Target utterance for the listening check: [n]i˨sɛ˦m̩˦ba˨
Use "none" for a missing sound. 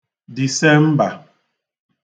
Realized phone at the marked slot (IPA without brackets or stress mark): d